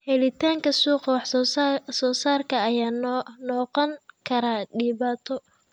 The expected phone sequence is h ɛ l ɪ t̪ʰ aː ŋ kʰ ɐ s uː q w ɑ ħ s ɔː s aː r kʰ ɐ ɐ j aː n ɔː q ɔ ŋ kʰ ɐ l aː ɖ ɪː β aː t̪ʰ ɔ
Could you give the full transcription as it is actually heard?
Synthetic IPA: h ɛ l ɪ t̪ʰ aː ŋ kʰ ɐ s uː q w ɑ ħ s ɔː s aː r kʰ ɐ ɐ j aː n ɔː q ɔ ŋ kʰ ɐ ɾ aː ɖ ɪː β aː t̪ʰ ɔ